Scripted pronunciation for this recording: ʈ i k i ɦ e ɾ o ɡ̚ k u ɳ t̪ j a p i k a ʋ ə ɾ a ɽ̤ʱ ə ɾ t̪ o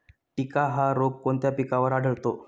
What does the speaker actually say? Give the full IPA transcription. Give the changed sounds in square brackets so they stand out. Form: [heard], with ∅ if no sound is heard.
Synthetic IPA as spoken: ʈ i k [a] ɦ [a] ɾ o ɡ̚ k [o] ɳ t̪ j a p i k a ʋ ə ɾ a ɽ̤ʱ ə [ɭ] t̪ o